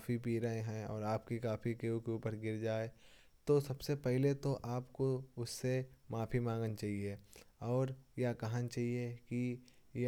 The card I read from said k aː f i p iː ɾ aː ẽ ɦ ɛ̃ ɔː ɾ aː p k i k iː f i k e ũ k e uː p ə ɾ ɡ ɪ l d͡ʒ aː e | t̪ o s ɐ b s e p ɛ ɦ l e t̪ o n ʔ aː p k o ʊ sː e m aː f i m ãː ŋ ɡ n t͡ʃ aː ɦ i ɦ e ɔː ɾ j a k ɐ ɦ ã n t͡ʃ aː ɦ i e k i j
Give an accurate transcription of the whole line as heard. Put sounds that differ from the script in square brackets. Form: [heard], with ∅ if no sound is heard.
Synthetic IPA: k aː f i p iː ɾ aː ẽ ɦ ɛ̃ ɔː ɾ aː p k i k [aː] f i k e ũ k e uː p ə ɾ ɡ ɪ [ɾ] d͡ʒ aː e | t̪ o s ɐ b s e p ɛ ɦ l e t̪ o [∅] ʔ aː p k o ʊ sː e m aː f i m ãː ŋ ɡ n t͡ʃ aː ɦ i [∅] e ɔː ɾ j a k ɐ ɦ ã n t͡ʃ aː ɦ i e k i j